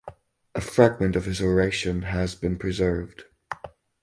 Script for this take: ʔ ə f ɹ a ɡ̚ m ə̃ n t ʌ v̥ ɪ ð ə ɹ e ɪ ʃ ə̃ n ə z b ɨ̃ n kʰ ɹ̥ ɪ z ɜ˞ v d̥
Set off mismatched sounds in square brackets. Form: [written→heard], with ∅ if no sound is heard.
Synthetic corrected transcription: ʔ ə f ɹ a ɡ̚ m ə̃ n t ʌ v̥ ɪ [ð→z] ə ɹ e ɪ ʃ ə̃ n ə z b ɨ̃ n [kʰ→pʰ] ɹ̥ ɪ z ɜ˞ v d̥

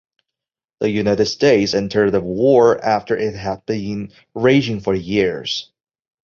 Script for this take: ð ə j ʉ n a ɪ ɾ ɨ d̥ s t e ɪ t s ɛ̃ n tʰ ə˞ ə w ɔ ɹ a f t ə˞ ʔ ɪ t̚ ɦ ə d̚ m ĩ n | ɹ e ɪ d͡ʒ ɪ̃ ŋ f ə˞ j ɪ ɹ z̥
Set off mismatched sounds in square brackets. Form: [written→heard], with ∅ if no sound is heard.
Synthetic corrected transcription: ð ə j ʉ n a ɪ ɾ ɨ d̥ s t e ɪ t s ɛ̃ n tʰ ə˞ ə w ɔ ɹ [a→æ] f t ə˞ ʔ ɪ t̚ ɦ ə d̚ [m→b] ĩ n | ɹ e ɪ d͡ʒ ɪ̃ ŋ f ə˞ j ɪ ɹ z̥

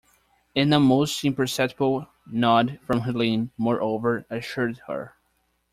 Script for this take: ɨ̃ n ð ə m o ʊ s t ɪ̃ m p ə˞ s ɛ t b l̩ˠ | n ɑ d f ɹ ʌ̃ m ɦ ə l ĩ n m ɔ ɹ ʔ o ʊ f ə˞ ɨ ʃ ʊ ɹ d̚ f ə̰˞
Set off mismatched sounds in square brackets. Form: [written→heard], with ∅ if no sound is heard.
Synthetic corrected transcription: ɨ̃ n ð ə m o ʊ s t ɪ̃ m p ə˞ s ɛ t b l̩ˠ | n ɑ d f ɹ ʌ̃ m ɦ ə l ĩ n m ɔ ɹ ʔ o ʊ [f→v] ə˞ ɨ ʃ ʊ ɹ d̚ [f→h] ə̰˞

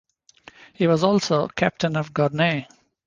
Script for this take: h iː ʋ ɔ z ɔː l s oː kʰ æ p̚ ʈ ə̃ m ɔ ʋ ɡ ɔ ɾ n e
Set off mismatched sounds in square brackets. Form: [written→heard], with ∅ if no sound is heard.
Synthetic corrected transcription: h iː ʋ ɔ z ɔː l s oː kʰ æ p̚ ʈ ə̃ [m→n] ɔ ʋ ɡ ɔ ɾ n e

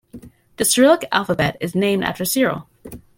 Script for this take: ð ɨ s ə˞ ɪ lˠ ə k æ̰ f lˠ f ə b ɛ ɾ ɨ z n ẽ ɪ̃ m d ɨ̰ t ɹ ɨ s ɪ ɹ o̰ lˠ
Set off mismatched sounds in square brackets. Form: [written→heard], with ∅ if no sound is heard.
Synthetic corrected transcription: ð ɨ s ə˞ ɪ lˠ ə k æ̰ [f→∅] lˠ f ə b ɛ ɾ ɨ z n ẽ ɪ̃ m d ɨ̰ t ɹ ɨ s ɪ ɹ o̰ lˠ

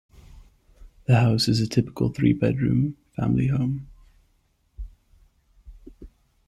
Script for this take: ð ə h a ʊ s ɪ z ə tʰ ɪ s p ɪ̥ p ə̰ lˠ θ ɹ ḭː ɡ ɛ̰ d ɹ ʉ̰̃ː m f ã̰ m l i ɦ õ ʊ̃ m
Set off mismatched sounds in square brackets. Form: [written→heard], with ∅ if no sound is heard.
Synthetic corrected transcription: ð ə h a ʊ s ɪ z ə tʰ ɪ [s→∅] p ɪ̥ [p→k] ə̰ lˠ θ ɹ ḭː [ɡ→b] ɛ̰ d ɹ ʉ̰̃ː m f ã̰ m l i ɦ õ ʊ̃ m

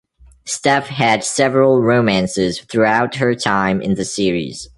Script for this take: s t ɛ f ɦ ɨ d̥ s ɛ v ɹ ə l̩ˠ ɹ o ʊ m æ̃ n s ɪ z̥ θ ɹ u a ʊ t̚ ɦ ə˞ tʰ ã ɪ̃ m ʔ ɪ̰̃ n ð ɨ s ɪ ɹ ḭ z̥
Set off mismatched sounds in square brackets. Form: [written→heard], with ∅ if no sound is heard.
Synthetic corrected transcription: s t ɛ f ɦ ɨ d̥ s ɛ v ɹ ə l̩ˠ ɹ o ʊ m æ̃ n s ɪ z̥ θ ɹ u a ʊ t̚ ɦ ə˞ tʰ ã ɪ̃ m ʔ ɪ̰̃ n ð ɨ s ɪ ɹ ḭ z̥

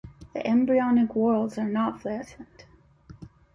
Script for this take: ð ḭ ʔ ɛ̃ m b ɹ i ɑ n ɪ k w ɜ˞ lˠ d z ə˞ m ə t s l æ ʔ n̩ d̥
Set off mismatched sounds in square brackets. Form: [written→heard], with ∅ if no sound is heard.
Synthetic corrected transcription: ð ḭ ʔ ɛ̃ m b ɹ i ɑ n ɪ k w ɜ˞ lˠ d z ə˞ [m→n] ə t [s→f] l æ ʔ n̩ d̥

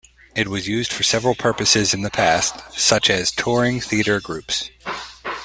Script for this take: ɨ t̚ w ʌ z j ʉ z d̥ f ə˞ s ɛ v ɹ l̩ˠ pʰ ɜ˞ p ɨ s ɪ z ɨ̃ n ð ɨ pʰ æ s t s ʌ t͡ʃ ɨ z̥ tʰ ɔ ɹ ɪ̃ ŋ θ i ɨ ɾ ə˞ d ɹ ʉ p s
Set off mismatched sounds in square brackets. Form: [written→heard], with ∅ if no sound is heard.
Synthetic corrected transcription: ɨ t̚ w ʌ z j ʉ z d̥ f ə˞ s ɛ v ɹ l̩ˠ pʰ ɜ˞ p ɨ s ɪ z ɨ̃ n ð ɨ pʰ æ s t s ʌ t͡ʃ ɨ z̥ tʰ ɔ ɹ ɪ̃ ŋ θ i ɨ ɾ ə˞ [d→ɡ] ɹ ʉ p s

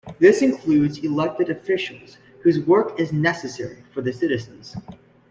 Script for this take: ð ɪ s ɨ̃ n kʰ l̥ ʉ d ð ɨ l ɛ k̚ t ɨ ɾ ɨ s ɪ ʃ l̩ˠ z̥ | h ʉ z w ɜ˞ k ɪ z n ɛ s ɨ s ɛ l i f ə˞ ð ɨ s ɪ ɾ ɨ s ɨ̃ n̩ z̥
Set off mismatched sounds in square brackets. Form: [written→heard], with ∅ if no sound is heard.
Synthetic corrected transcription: ð ɪ s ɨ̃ n kʰ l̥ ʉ d [ð→z] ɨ l ɛ k̚ t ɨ ɾ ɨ [s→f] ɪ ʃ l̩ˠ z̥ | h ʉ z w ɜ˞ k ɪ z n ɛ s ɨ s ɛ [l→ɹ] i f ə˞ ð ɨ s ɪ ɾ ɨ [s→z] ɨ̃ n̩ z̥

